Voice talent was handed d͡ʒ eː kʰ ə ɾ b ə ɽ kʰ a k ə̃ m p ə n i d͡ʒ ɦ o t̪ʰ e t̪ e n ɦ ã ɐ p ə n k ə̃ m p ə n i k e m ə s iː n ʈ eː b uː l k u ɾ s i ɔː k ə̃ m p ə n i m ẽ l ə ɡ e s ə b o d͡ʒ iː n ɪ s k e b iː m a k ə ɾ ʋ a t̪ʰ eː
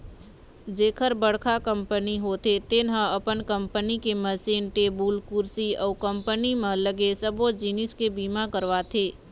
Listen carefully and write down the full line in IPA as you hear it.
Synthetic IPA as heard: d͡ʒ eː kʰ ə ɾ b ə ɽ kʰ a k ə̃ m p ə n i ɦ o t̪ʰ e t̪ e n ɦ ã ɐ p ə n k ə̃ m p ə n i k e m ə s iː n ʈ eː b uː l k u ɾ s i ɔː k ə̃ m p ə n i m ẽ l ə ɡ e s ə b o d͡ʒ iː n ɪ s k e b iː m a k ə ɾ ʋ a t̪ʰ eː

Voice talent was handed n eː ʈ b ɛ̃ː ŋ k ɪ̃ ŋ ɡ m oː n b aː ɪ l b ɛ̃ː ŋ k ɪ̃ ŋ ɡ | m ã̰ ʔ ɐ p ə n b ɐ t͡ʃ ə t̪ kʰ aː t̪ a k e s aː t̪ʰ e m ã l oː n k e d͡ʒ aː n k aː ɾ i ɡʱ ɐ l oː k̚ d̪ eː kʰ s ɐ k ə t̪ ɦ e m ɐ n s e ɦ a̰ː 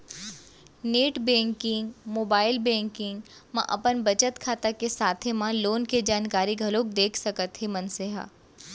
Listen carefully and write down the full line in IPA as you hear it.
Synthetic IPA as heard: n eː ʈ b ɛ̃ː ŋ k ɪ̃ ŋ ɡ m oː b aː ɪ l b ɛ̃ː ŋ k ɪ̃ ŋ ɡ | m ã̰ ʔ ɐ p ə n b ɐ t͡ʃ ə t̪ kʰ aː t̪ a k e s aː t̪ʰ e m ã l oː n k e d͡ʒ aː n k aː ɾ i ɡʱ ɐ l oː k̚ d̪ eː kʰ s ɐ k ə t̪ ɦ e m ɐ n s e ɦ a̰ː

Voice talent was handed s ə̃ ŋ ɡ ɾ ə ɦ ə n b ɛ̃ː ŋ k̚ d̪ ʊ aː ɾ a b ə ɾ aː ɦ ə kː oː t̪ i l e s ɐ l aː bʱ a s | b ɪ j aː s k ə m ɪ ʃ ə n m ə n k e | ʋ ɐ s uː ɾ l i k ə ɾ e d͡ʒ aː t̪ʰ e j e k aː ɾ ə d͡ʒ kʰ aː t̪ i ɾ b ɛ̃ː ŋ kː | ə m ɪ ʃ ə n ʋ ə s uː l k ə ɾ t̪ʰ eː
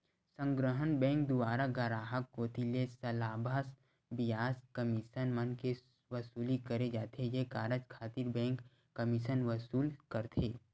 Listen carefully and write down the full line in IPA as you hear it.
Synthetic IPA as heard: s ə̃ ŋ ɡ ɾ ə ɦ ə n b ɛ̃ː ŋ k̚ d̪ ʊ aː ɾ a ɡ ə ɾ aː ɦ ə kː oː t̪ i l e s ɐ l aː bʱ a s | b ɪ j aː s k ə m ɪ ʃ ə n m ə n k e | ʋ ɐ s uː l i k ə ɾ e d͡ʒ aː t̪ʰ e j e k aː ɾ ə d͡ʒ kʰ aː t̪ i ɾ b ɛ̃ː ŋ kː | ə m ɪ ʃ ə n ʋ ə s uː l k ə ɾ t̪ʰ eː

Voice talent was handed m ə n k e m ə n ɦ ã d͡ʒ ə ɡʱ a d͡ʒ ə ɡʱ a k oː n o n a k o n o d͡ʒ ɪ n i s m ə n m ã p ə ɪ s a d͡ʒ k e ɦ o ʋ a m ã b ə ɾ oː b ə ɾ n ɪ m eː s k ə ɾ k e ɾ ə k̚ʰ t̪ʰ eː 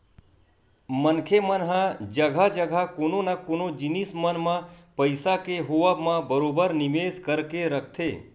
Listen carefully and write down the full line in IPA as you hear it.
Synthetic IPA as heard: m ə n kʰ e m ə n ɦ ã d͡ʒ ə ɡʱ a d͡ʒ ə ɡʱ a k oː n o n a k o n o d͡ʒ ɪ n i s m ə n m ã p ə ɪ s a k e ɦ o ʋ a m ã b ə ɾ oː b ə ɾ n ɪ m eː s k ə ɾ k e ɾ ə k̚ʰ t̪ʰ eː

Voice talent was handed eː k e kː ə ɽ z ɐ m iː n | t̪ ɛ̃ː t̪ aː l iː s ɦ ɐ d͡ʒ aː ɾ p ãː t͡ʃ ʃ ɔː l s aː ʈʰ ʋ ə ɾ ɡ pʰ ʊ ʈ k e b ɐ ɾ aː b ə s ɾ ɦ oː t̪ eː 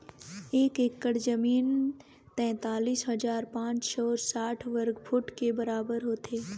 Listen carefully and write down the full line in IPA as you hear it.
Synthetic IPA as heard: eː k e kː ə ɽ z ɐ m iː n | t̪ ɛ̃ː t̪ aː l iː s ɦ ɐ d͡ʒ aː ɾ p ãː t͡ʃ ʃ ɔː ɾ s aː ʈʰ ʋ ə ɾ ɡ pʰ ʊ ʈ k e b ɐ ɾ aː b ə ɾ ɦ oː t̪ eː

